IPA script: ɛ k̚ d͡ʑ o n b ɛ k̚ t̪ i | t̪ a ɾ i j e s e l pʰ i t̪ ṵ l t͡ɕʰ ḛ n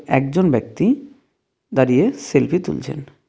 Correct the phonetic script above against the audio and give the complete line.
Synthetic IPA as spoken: ɛ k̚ d͡ʑ o n b ɛ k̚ t̪ i | d̪ a ɾ i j e s e l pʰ i t̪ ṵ l t͡ɕʰ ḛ n